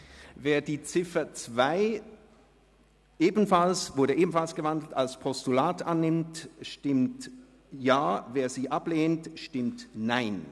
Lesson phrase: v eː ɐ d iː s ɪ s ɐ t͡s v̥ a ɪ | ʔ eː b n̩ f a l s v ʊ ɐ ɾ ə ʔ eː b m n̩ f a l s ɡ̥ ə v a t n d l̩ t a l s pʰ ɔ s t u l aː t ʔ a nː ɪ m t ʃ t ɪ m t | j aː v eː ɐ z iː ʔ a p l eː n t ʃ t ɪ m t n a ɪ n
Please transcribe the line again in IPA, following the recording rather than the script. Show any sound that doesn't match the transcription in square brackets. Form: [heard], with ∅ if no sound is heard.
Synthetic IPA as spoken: v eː ɐ d iː [t͡s] ɪ [f] ɐ t͡s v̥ a ɪ | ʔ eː b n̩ f a l s v ʊ ɐ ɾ ə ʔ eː b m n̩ f a l s ɡ̥ ə v a [∅] n d l̩ t a l s pʰ ɔ s t u l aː t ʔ a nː ɪ m t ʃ t ɪ m t | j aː v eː ɐ z iː ʔ a p l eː n t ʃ t ɪ m t n a ɪ n